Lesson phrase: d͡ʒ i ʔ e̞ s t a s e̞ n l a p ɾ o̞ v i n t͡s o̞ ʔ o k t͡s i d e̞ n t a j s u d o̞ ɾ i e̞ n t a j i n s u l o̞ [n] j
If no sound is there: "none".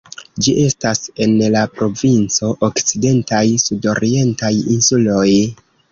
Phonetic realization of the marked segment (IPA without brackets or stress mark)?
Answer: none